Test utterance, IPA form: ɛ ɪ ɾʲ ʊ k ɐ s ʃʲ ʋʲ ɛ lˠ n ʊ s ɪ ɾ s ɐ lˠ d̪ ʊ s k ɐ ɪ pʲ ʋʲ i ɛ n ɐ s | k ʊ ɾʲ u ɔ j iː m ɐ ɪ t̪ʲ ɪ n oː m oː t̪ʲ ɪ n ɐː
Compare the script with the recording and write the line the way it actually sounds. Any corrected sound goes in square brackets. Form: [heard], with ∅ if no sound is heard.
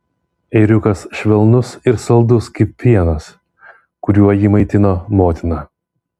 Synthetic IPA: ɛ ɪ ɾʲ ʊ k ɐ s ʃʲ ʋʲ ɛ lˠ n ʊ s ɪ ɾ s ɐ lˠ d̪ ʊ s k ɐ ɪ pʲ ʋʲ i ɛ n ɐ s | k ʊ ɾʲ u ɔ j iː m ɐ ɪ t̪ʲ ɪ n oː m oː t̪ʲ ɪ n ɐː